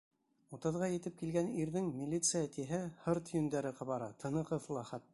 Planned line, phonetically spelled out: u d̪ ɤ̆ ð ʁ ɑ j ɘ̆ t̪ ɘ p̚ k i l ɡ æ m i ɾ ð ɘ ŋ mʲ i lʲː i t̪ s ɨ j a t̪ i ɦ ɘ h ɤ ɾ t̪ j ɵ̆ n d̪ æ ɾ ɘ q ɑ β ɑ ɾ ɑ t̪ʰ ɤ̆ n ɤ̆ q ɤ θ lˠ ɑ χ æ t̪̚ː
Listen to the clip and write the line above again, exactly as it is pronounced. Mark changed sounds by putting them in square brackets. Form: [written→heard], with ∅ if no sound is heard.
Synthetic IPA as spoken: u [d̪→t̪] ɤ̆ ð ʁ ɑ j ɘ̆ t̪ ɘ p̚ k i l ɡ æ [m→n] i ɾ ð ɘ ŋ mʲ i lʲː i t̪ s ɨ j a t̪ i ɦ ɘ h ɤ ɾ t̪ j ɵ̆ n d̪ æ ɾ ɘ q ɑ β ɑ ɾ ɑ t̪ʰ ɤ̆ n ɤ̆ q ɤ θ lˠ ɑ χ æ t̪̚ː